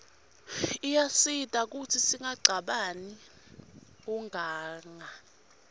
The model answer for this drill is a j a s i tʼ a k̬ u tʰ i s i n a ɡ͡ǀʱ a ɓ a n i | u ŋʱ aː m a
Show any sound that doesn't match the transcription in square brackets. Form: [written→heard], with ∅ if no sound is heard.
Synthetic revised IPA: [a→i] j a s i tʼ a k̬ u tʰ i s i [n→ŋ] a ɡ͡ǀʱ a ɓ a n i | u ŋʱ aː [m→ŋ] a